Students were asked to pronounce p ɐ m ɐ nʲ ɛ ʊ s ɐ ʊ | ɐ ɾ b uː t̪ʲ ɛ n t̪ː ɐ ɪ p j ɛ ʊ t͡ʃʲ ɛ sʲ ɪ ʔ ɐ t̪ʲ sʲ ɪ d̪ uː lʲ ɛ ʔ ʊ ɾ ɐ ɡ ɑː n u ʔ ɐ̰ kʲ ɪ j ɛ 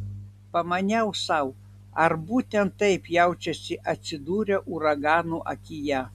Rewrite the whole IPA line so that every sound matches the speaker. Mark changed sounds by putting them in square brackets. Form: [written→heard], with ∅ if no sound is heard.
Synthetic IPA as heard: p ɐ m ɐ nʲ ɛ ʊ s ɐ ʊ | ɐ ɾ b uː t̪ʲ ɛ n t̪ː ɐ ɪ p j ɛ ʊ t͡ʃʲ ɛ sʲ ɪ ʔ ɐ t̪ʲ sʲ ɪ d̪ uː [lʲ→ɾʲ] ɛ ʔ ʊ ɾ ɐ ɡ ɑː n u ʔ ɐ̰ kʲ ɪ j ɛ